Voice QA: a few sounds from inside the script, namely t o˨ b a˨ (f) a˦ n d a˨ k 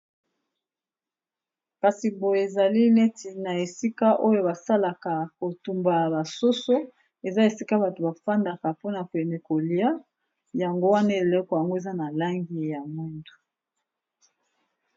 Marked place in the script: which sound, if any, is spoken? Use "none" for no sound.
f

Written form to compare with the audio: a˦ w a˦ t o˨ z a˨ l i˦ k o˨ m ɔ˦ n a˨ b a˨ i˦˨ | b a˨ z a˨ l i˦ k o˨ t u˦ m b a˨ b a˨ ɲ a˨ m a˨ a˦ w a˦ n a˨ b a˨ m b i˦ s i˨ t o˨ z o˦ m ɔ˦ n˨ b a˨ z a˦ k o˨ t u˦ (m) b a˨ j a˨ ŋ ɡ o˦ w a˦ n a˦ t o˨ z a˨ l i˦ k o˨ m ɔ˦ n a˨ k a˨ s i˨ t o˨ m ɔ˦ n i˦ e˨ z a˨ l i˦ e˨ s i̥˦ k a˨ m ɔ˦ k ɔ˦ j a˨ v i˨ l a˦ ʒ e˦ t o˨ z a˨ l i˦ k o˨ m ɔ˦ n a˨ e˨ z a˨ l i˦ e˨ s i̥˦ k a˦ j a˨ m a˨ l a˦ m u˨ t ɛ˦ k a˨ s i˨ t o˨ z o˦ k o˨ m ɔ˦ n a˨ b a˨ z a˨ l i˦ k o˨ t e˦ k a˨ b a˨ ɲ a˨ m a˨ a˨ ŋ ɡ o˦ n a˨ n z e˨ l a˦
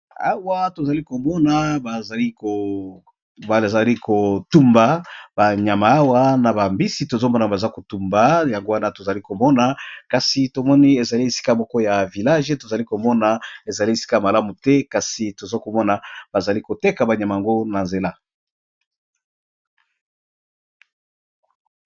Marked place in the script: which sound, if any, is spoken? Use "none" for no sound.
m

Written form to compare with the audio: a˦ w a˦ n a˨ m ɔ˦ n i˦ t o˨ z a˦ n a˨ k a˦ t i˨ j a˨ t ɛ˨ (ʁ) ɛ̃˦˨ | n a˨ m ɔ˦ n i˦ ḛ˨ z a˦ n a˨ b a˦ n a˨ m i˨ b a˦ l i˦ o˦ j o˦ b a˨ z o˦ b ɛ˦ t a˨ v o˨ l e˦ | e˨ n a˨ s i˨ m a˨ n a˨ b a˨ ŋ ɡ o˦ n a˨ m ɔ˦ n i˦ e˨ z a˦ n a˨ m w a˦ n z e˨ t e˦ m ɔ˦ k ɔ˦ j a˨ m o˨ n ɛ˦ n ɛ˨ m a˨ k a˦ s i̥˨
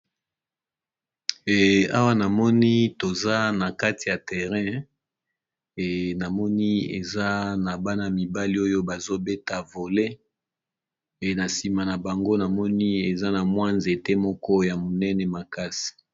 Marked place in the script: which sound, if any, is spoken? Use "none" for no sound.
ʁ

